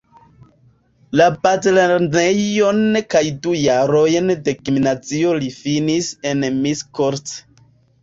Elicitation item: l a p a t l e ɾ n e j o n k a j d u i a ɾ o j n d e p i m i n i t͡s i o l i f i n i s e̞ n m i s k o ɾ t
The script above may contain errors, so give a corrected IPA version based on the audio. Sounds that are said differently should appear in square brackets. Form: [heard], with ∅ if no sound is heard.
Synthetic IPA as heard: l a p a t l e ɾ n e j o n k a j d u [j] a ɾ o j n d e [k] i m i n [a] t͡s i o l i f i n i s e̞ n m i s k o ɾ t